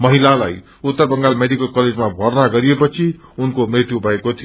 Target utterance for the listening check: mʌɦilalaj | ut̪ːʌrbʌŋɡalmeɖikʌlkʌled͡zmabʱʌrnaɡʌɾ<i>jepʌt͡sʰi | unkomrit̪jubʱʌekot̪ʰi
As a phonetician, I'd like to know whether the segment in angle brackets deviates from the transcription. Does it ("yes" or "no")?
no